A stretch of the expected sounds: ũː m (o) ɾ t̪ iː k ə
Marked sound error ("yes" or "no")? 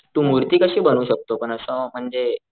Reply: yes